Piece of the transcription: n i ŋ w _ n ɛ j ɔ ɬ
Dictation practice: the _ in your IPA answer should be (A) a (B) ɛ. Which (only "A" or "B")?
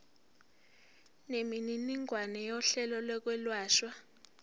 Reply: A